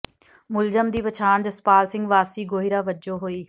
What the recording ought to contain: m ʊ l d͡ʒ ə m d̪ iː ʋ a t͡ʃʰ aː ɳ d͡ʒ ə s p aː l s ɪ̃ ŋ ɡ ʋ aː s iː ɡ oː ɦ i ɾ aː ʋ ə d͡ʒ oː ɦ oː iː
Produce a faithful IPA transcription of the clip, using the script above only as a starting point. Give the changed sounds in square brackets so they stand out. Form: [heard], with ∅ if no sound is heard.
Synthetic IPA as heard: m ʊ l d͡ʒ ə m d̪ iː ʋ [ə] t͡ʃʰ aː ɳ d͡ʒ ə s p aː l s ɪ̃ ŋ ɡ ʋ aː s iː ɡ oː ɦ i ɾ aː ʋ ə d͡ʒ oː ɦ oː iː